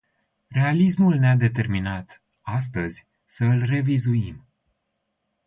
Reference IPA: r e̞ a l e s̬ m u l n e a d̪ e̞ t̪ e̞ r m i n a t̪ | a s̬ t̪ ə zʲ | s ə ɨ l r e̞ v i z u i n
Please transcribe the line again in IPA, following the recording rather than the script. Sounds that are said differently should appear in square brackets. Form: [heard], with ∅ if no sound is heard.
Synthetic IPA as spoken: r e̞ a l [i] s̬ m u l n e a d̪ e̞ t̪ e̞ r m i n a t̪ | a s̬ t̪ ə zʲ | s ə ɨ l r e̞ v i z u i [m]

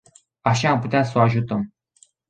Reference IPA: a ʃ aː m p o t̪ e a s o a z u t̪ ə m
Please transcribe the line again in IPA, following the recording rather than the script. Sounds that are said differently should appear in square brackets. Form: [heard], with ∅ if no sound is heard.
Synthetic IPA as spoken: a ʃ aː m p [u] t̪ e a s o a [ʒ] u t̪ ə m

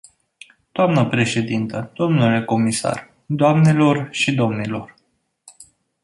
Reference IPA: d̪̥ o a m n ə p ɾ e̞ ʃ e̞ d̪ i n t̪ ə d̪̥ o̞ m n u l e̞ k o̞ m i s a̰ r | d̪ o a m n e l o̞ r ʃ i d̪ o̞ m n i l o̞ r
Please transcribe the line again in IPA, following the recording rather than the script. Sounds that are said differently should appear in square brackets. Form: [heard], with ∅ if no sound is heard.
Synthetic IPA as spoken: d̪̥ o a m n ə p ɾ e̞ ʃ e̞ d̪ i n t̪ ə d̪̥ o̞ m n u l e̞ k o̞ m i s a̰ r | d̪ o a m n e l o̞ r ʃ i d̪ o̞ m n i l o̞ r

